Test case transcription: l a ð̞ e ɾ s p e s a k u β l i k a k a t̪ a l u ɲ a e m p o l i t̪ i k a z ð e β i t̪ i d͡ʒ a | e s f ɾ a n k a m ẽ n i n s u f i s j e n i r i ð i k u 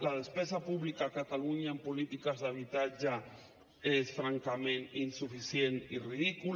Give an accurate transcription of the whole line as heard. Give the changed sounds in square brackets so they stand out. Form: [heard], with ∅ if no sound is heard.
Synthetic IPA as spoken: l a ð̞ e [∅] s p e s a [p] u β l i k a k a t̪ a l u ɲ a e m p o l i t̪ i k a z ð [a] β i t̪ [a] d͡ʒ a | e s f ɾ a [ŋ] k a m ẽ n i n s u f i s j e n i r i ð i k u

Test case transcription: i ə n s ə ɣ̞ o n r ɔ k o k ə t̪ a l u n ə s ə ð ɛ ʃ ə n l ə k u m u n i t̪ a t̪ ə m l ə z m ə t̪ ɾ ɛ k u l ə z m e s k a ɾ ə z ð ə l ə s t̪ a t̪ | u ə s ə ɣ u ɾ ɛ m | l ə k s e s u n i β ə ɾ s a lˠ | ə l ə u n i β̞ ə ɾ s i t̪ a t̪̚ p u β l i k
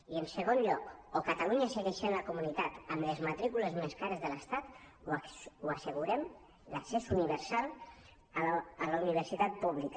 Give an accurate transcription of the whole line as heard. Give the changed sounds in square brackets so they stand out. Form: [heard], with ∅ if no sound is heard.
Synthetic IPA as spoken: i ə n s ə ɣ̞ o n [ʎ] ɔ k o k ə t̪ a l u [ɲ] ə s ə [ɣ] ɛ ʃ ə n l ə k u m u n i t̪ a t̪ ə m l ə z m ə t̪ ɾ [i] k u l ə z m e s k a ɾ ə z ð ə l ə s t̪ a t̪ | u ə s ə ɣ u ɾ ɛ m | l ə k s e s u n i β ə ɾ s a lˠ | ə l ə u n i β̞ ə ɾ s i t̪ a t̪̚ p u β l i k

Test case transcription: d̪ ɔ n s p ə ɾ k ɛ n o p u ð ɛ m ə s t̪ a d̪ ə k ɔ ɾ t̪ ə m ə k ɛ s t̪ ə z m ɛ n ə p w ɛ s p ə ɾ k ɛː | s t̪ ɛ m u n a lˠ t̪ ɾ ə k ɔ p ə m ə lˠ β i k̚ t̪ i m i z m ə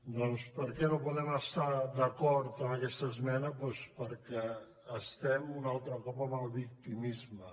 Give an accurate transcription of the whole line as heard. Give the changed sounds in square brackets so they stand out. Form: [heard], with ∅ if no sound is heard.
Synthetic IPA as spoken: d̪ ɔ n s p ə ɾ k ɛ n o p u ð ɛ m ə s t̪ a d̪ ə k ɔ ɾ t̪ ə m ə k ɛ s t̪ ə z m ɛ n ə p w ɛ s p ə ɾ k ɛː | s t̪ ɛ m u n a lˠ t̪ ɾ ə k ɔ p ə m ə lˠ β i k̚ t̪ i m i z m ə

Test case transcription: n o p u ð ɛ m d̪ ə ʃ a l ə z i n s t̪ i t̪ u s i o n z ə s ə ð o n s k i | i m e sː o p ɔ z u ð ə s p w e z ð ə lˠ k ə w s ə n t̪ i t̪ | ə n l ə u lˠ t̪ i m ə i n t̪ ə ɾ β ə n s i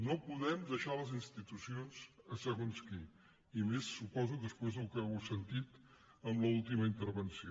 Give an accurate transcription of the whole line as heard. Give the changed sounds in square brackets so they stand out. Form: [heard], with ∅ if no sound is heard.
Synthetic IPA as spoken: n o p u ð ɛ m d̪ ə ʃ a l ə z i n s t̪ i t̪ u s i o n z ə s ə [ɣ] o n s k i | i m e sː [u] p ɔ z u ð ə s p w e z ð ə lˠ k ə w s ə n t̪ i t̪ | ə [m] l ə u lˠ t̪ i m ə i n t̪ ə ɾ β ə n s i

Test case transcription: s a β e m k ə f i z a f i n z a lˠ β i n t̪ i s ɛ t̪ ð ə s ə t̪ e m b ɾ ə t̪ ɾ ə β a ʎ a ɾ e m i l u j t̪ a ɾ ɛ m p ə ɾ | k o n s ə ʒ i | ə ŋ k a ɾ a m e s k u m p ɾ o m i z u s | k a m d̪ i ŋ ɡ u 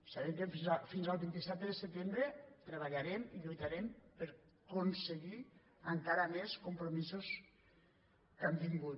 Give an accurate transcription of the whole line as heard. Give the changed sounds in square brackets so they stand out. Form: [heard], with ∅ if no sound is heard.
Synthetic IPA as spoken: s a β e m k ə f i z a f i n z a lˠ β i n t̪ i s ɛ t̪ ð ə s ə t̪ e m b ɾ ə t̪ ɾ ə β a ʎ a ɾ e m i [ʎ] u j t̪ a ɾ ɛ m p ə ɾ | k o n s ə [ɣ] i | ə ŋ k a ɾ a m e s k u m p ɾ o m i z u s | k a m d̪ i ŋ ɡ u

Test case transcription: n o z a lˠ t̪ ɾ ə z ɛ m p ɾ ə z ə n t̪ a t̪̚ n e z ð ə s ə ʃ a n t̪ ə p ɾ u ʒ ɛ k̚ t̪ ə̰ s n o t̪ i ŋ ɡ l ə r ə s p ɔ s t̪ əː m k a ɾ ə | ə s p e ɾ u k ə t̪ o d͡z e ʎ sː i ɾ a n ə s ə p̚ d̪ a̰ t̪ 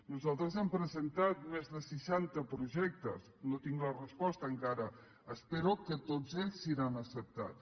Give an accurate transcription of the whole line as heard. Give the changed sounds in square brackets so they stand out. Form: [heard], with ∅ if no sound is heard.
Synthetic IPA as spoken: n [u] z a lˠ t̪ ɾ ə z ɛ m p ɾ ə z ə n t̪ a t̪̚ [m] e z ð ə s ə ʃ a n t̪ ə p ɾ u ʒ ɛ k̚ t̪ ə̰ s n o t̪ i ŋ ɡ l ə r ə s p ɔ s t̪ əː [ŋ] k a ɾ ə | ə s p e ɾ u k ə t̪ o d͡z e ʎ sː i ɾ a n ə s ə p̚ [t̪] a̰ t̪

